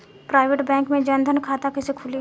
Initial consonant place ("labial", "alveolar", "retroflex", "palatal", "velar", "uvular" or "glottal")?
labial